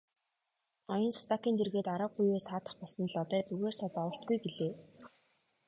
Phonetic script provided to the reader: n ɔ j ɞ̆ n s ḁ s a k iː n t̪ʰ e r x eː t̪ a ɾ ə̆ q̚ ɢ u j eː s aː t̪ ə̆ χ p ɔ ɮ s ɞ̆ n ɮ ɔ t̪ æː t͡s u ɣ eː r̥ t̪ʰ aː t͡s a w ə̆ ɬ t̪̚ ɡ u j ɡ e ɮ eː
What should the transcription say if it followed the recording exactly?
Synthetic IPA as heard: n ɔ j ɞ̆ n s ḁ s a k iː n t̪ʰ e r ɣ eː t̪ a ɾ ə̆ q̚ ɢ u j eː s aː t̪ ə̆ χ p ɔ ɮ s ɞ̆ n ɮ ɔ t̪ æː t͡s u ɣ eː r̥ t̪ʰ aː t͡s a w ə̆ ɬ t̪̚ ɡ u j ɡ e ɮ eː